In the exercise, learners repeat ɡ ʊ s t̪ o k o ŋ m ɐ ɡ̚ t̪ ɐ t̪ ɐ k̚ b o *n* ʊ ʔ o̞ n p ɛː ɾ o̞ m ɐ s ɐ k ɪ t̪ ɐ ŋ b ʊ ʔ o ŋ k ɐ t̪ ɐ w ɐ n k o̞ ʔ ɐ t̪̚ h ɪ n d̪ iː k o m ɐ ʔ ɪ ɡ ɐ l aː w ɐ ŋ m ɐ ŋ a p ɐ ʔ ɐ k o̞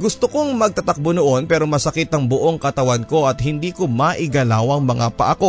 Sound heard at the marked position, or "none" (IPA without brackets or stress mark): n